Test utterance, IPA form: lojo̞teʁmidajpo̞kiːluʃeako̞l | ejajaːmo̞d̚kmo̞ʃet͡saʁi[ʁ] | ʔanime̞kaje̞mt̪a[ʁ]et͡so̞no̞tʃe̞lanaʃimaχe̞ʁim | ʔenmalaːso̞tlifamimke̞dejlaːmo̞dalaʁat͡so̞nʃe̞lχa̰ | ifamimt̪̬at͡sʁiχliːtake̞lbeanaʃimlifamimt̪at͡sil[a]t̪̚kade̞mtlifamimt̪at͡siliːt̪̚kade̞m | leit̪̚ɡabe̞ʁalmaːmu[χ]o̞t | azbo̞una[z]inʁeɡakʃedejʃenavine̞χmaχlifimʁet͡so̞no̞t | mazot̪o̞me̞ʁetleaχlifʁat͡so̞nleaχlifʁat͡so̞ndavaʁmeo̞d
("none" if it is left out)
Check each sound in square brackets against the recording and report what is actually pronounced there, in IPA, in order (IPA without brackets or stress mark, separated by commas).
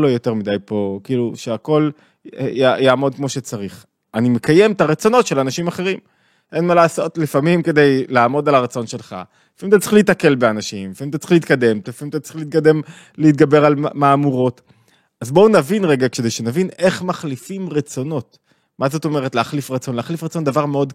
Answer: χ, ʁ, i, ʁ, v